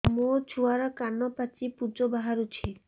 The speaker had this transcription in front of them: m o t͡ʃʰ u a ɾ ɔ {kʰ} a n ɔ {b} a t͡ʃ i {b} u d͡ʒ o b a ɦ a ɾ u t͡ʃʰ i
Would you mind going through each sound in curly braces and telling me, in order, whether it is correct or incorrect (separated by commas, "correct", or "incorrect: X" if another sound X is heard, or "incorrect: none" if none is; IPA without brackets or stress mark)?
incorrect: k, incorrect: p, incorrect: p